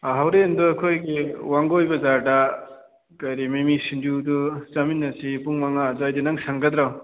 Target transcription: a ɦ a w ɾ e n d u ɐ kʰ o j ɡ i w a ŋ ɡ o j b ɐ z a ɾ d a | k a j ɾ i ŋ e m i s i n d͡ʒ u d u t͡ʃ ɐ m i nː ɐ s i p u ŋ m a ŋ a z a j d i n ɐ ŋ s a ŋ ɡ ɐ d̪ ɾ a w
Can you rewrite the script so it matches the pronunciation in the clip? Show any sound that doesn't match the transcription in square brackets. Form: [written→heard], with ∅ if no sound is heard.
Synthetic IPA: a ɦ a w ɾ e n d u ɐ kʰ o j ɡ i w a ŋ ɡ o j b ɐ z a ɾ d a | k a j ɾ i [ŋ→m] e m i s i n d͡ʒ u d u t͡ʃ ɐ m i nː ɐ s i p u ŋ m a ŋ a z a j d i n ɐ ŋ s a ŋ ɡ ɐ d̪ ɾ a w